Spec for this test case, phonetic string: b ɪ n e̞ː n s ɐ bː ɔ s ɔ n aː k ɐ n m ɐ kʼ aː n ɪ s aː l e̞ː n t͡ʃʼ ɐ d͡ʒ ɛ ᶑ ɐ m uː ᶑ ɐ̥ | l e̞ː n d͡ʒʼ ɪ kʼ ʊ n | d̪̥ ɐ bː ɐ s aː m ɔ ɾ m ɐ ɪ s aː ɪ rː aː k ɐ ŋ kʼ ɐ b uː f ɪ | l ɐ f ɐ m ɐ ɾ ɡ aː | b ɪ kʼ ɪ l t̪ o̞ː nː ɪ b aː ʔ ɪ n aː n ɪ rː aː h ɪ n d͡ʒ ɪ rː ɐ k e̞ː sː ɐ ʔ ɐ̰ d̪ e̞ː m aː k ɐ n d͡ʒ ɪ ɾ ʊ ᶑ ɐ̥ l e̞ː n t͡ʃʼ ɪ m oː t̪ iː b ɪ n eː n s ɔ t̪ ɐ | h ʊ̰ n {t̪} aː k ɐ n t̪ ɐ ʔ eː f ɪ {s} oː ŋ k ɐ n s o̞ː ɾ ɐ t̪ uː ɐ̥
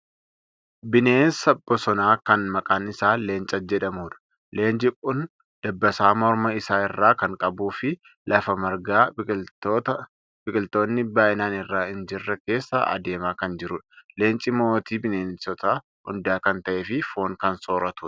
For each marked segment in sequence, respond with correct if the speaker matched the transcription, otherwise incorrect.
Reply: incorrect, incorrect

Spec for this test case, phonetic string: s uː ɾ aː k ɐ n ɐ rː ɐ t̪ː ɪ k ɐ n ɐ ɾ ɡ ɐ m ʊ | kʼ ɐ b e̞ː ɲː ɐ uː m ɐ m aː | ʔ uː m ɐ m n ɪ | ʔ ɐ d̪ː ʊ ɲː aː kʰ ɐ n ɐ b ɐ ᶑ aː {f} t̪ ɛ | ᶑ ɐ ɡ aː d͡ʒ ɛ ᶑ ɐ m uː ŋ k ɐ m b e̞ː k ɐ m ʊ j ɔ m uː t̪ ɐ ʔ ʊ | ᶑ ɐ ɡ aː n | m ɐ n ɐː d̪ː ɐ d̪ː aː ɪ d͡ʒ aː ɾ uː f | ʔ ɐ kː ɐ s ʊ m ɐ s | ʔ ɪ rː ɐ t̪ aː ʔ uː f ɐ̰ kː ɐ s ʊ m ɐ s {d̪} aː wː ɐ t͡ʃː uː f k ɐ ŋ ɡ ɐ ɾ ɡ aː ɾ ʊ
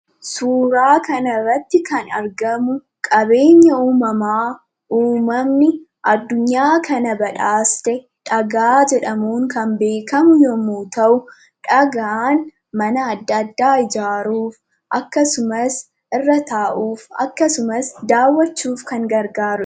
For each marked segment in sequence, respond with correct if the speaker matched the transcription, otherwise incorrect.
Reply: incorrect, correct

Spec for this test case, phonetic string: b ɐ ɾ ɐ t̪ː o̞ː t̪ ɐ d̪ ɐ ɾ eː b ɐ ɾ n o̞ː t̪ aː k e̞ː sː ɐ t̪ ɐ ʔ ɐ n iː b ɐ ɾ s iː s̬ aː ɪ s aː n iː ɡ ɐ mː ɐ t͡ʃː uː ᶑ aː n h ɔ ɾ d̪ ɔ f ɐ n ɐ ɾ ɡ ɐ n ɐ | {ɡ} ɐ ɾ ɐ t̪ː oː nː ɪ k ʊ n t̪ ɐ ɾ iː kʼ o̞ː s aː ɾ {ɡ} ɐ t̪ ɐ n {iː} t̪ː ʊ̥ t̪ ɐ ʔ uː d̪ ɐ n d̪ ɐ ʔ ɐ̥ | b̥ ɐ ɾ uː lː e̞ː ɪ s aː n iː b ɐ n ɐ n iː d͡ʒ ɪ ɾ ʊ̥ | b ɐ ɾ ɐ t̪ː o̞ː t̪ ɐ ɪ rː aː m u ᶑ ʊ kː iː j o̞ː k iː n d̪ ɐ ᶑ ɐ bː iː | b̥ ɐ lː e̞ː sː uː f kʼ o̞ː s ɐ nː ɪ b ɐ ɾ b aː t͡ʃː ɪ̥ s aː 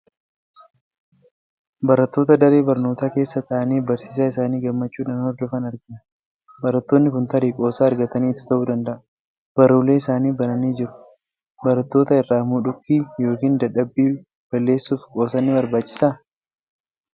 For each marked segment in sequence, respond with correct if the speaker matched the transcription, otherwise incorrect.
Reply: incorrect, correct, correct

